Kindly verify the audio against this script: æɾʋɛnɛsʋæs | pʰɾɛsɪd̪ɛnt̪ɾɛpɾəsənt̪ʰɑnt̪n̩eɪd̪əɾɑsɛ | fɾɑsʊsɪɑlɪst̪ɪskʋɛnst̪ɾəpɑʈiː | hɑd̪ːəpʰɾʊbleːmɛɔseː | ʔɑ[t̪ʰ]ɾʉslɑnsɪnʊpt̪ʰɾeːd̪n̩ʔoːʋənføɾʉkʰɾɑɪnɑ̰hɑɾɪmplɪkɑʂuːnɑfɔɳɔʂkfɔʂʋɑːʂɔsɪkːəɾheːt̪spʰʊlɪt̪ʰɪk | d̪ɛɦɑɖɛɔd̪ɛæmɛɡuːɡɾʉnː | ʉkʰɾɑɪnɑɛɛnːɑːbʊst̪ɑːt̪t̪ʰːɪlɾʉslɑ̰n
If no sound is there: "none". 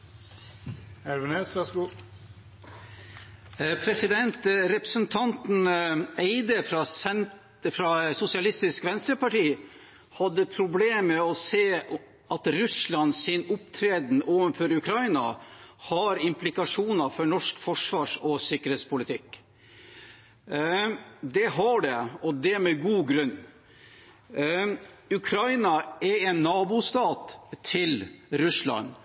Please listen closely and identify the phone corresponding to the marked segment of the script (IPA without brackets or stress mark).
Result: t̪